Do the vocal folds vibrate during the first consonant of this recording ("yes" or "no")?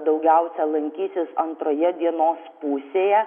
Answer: yes